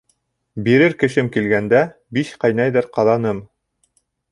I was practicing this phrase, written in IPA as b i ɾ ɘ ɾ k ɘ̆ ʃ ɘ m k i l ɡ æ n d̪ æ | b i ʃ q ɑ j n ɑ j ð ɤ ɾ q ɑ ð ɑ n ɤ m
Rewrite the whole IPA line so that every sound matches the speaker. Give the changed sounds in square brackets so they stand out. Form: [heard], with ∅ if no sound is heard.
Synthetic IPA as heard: b i ɾ ɘ ɾ k ɘ̆ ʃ ɘ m k i l ɡ æ n d̪ æ | b i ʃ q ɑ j n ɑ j ð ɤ ɾ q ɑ ð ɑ n ɤ m